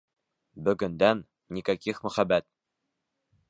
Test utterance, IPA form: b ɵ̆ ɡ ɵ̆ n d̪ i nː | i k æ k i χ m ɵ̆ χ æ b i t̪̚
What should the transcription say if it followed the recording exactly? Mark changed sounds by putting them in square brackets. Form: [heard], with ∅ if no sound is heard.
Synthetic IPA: b ɵ̆ ɡ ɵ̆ n d̪ [æ] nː | i k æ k i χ m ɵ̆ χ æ b [æ] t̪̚